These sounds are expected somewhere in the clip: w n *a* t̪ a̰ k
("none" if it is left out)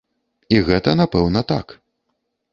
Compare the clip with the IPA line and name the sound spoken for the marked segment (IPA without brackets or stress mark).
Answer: ɐ